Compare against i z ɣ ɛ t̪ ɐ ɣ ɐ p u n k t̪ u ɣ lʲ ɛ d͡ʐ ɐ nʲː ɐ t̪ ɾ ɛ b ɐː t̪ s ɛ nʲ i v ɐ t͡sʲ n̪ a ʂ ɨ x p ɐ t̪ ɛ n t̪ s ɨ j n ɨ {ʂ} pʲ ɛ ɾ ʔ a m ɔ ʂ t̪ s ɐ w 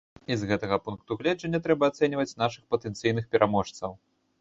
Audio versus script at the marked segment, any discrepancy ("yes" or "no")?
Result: yes